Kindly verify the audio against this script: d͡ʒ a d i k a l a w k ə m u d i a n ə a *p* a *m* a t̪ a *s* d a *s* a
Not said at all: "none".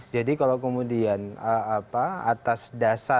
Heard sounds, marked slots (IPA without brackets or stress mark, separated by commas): p, none, s, s